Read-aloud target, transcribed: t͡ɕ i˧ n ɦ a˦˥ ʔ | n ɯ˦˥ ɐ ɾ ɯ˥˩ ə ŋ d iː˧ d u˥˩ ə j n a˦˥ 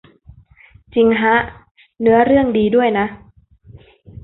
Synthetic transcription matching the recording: t͡ɕ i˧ ŋ ɦ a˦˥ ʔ | n ɯ˦˥ ɐ ɾ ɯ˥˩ ə ŋ d iː˧ d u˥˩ ə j n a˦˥